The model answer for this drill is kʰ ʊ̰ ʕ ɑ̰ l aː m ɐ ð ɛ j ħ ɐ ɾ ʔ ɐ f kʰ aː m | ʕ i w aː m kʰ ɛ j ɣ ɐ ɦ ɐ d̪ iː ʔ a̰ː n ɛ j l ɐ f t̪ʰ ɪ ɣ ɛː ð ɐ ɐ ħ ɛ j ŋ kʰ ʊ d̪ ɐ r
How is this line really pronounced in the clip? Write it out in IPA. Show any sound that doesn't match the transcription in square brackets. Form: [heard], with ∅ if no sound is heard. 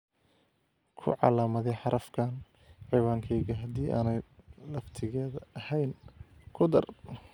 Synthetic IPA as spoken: kʰ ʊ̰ ʕ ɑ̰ l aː m ɐ ð ɛ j ħ [ɑ] ɾ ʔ ɐ f kʰ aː [n] | ʕ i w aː [ŋ] kʰ ɛ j ɣ ɐ ɦ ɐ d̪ iː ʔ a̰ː n ɛ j l ɐ f t̪ʰ ɪ ɣ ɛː ð ɐ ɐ [h] ɛ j [n] kʰ ʊ d̪ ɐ r